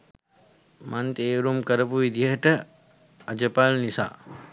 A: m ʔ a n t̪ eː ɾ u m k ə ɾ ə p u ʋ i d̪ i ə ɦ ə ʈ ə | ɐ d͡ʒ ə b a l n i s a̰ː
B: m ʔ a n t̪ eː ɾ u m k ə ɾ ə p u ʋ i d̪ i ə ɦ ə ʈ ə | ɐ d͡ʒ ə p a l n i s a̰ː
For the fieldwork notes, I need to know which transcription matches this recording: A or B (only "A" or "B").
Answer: B